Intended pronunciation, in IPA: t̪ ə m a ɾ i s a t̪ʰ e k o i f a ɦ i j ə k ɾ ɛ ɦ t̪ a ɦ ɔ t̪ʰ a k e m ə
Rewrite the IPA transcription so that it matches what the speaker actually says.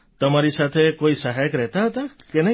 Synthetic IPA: t̪ ə m a ɾ i s a t̪ʰ e k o i s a ɦ a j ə k ɾ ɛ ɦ t̪ a ɦ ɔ t̪ a k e n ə